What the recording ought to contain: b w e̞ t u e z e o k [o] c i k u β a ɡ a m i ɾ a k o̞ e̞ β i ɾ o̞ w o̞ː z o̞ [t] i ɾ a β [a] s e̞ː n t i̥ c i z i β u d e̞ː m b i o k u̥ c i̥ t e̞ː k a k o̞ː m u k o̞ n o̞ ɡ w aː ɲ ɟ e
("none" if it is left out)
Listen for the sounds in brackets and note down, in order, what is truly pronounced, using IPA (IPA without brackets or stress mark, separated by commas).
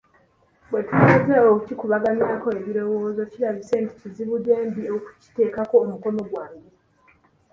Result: u, c, i